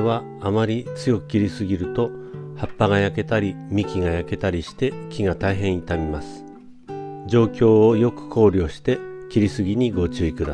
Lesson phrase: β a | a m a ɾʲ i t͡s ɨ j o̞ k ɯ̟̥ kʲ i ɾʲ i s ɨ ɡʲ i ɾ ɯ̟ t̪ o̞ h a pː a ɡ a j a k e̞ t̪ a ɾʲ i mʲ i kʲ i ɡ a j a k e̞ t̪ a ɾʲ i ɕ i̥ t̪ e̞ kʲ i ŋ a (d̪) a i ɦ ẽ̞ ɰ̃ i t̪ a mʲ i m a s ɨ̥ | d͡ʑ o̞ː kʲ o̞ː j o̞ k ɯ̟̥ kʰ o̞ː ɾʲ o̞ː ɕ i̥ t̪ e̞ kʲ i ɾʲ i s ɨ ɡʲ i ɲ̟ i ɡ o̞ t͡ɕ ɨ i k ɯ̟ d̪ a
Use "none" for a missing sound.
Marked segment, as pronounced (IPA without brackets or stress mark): t̪